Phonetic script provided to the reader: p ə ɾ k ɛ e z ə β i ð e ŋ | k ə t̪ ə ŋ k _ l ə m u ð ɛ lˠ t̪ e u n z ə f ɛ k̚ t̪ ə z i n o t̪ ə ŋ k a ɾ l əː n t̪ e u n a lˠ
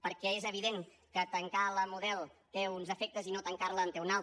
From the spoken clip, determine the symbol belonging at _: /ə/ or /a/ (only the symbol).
a